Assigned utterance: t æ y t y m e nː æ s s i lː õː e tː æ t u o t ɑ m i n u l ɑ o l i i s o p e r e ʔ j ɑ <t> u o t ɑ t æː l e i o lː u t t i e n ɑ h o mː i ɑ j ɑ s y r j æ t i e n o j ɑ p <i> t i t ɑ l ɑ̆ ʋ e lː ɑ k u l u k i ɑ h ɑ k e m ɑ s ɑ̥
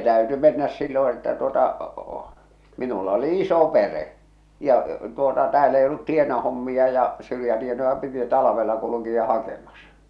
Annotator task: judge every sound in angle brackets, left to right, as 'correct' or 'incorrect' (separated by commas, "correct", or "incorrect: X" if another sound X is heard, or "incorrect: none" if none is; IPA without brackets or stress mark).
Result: correct, correct